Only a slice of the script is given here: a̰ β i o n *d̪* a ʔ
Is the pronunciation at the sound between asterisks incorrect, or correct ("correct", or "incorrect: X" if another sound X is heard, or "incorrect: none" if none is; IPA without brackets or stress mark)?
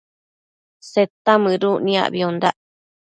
correct